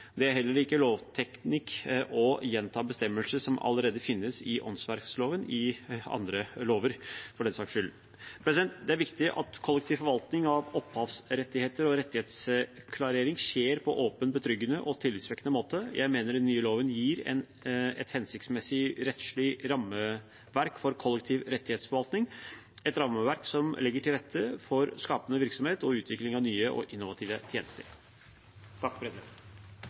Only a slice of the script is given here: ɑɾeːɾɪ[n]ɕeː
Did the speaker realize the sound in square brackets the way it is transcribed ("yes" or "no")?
no